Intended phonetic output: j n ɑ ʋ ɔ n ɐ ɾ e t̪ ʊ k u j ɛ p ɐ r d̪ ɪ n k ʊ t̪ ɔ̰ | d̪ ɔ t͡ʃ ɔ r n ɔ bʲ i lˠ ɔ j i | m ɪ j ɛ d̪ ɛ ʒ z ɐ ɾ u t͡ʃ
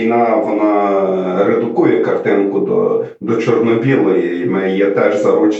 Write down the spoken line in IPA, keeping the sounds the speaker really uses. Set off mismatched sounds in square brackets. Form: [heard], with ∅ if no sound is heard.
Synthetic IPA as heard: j n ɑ ʋ ɔ n [ɑ] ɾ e [d̪] ʊ k u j ɛ [k] ɐ r [t̪] ɪ n k ʊ [d̪] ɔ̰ | d̪ ɔ t͡ʃ ɔ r n ɔ bʲ i lˠ ɔ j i | m ɪ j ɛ [t̪] ɛ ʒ z ɐ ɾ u t͡ʃ